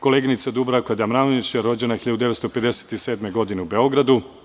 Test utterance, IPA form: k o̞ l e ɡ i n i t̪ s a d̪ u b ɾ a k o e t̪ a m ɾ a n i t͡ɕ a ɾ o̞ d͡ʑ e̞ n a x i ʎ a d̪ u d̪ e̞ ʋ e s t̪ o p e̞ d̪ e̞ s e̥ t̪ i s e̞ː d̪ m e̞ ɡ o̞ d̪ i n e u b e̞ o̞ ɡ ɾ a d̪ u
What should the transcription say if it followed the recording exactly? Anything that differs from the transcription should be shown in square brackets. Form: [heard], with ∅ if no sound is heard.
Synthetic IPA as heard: k o̞ l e ɡ i n i t̪ s a d̪ u b ɾ a k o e [d̪] a m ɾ a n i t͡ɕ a ɾ o̞ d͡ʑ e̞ n a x i ʎ a d̪ u d̪ e̞ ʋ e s t̪ o p e̞ d̪ e̞ s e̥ t̪ i s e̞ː d̪ m e̞ ɡ o̞ d̪ i n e u b e̞ o̞ ɡ ɾ a d̪ u